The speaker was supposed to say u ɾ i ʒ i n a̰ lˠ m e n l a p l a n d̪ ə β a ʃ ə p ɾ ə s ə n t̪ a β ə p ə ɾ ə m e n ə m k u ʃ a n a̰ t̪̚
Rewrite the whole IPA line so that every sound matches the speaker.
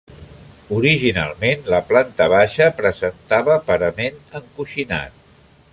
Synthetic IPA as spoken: u ɾ i ʒ i n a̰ lˠ m e n l ə p l a n t̪ ə β a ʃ ə p ɾ ə z ə n t̪ a β ə p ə ɾ ə m e n ə ŋ k u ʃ i n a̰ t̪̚